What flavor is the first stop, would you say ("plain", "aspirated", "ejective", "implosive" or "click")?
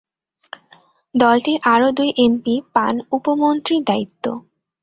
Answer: plain